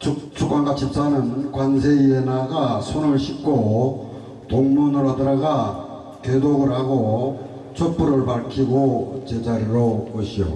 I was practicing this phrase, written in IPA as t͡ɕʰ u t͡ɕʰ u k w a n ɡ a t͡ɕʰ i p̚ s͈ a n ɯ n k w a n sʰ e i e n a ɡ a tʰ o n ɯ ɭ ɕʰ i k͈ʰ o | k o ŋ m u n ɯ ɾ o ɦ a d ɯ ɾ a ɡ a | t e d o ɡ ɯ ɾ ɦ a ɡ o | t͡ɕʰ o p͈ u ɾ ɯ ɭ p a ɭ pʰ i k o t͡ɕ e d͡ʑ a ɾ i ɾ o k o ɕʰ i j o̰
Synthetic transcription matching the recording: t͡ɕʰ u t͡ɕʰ u k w a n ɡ a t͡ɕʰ i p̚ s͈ a n ɯ n k w a n sʰ e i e n a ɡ a sʰ o n ɯ ɭ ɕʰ i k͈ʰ o | t o ŋ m u n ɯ ɾ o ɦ a d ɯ ɾ a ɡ a | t e d o ɡ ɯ ɾ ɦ a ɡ o | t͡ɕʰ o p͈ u ɾ ɯ ɭ p a ɭ kʰ i ɡ o t͡ɕ e d͡ʑ a ɾ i ɾ o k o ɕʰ i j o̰